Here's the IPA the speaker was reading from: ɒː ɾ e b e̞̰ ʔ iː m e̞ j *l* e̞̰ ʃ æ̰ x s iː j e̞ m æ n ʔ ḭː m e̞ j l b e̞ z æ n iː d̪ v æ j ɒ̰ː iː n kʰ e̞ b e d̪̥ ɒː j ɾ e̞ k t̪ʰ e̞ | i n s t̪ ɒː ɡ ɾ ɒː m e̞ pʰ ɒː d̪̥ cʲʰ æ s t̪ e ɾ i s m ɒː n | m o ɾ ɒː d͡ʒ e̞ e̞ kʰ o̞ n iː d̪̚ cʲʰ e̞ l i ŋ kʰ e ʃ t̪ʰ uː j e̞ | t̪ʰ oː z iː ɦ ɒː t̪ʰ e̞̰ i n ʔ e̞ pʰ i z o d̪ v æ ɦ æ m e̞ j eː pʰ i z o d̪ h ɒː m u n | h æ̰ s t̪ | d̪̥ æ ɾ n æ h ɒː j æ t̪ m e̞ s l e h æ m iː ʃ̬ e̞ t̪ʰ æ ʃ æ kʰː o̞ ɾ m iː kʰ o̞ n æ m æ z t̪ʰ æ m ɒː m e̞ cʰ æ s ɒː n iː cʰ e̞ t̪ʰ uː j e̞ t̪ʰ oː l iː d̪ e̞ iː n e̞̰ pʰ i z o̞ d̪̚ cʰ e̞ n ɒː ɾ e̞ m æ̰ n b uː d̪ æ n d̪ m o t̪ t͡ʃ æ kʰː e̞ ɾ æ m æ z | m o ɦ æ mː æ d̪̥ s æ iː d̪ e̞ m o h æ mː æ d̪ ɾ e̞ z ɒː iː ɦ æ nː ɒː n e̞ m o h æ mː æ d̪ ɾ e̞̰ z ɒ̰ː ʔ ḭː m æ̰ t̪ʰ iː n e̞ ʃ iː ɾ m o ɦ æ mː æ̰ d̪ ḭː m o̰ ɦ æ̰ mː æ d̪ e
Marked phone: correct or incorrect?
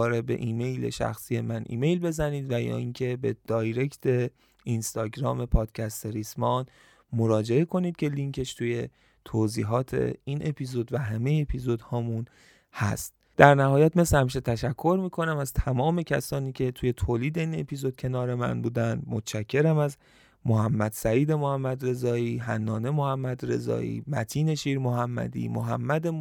correct